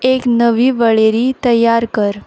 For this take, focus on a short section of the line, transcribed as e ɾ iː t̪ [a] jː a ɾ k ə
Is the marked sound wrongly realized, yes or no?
yes